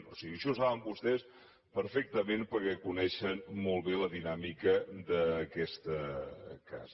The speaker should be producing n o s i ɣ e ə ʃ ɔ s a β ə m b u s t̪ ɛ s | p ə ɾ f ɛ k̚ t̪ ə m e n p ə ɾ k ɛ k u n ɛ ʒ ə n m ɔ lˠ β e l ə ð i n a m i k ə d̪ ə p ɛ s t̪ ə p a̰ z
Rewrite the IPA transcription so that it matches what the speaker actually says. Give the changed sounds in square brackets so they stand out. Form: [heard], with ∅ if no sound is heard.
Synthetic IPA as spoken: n o s i ɣ [i] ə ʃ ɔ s a β ə m b u s t̪ ɛ s | p ə ɾ f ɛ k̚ t̪ ə m e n p ə ɾ k ɛ k u n ɛ [ʃ] ə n m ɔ lˠ β e l ə ð i n a m i k ə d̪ ə [k] ɛ s t̪ ə [k] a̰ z